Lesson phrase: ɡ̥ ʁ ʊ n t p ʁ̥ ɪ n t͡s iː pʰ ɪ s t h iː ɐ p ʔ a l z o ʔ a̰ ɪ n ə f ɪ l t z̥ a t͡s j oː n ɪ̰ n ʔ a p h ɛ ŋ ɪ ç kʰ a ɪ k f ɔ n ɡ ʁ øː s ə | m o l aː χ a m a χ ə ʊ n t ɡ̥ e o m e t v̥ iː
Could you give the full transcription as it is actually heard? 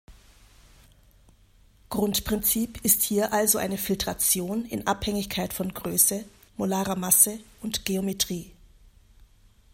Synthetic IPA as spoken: ɡ̥ ʁ ʊ n t p ʁ̥ ɪ n t͡s iː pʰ ɪ s t h iː ɐ ʔ a l z o ʔ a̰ ɪ n ə f ɪ l t ʁ̥ a t͡s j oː n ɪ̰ n ʔ a p h ɛ ŋ ɪ ç kʰ a ɪ t f ɔ n ɡ ʁ øː s ə | m o l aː ʁ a m a s ə ʊ n t ɡ̥ e o m e t ʁ̥ iː